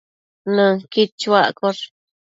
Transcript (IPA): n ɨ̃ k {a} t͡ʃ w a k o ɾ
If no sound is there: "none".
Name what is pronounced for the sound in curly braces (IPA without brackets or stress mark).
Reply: i